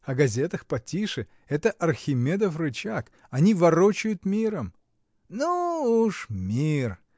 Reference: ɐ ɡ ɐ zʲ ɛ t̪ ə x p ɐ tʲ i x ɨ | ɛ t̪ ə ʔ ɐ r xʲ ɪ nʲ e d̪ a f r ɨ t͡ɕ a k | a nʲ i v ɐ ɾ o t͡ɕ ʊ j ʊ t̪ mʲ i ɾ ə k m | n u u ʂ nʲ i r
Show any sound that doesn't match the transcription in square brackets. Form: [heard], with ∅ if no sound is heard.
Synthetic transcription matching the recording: ɐ ɡ ɐ zʲ [e] t̪ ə x p ɐ tʲ i [ʂ] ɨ | ɛ t̪ ə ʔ ɐ r xʲ ɪ [mʲ] e d̪ [ə] f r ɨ t͡ɕ a k | [ɐ] nʲ i v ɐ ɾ o t͡ɕ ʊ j ʊ t̪ mʲ i ɾ ə [∅] m | n u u ʂ [mʲ] i r